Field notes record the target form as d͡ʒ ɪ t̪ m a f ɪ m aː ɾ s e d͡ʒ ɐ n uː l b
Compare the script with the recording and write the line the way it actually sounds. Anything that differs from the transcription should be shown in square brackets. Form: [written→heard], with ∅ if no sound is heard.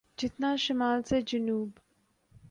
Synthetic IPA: d͡ʒ ɪ t̪ [m→n] a [f→ʃ] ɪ m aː [ɾ→l] s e d͡ʒ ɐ n uː [l→∅] b